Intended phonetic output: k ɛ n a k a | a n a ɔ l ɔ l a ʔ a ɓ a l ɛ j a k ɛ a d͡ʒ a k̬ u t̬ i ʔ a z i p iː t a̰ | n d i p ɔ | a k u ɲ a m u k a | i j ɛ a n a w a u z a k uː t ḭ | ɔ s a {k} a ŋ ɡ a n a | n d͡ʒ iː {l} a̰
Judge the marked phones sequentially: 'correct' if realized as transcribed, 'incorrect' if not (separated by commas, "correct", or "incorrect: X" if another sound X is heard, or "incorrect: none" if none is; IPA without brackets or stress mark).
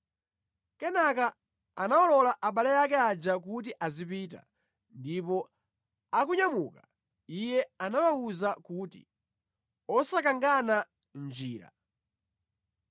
correct, incorrect: ɾ